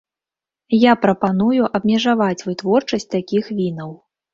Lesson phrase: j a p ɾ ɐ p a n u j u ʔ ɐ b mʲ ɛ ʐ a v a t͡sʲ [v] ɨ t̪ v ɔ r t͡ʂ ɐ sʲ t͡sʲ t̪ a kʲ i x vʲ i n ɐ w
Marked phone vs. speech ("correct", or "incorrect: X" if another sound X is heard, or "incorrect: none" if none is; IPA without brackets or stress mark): correct